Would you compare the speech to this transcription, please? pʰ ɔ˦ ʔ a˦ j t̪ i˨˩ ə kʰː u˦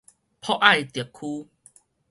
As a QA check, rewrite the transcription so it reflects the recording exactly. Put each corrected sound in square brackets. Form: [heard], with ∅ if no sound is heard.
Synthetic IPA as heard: pʰ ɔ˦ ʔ [a˥˨] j t̪ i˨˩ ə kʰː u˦